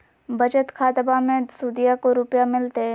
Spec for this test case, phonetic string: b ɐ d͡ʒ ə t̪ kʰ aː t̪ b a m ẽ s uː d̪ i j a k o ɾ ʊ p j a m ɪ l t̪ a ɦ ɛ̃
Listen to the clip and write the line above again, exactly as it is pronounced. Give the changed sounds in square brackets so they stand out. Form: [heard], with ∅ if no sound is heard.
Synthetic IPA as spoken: b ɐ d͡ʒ ə t̪ kʰ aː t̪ b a m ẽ s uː d̪ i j a k o ɾ ʊ p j a m ɪ l t̪ [e] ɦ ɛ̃